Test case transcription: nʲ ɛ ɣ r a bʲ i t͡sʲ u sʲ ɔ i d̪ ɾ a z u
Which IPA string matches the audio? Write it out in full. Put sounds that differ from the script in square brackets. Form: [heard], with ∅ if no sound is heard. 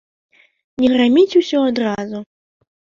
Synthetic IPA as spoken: nʲ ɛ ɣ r a [mʲ] i t͡sʲ u sʲ ɔ [a] d̪ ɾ a z u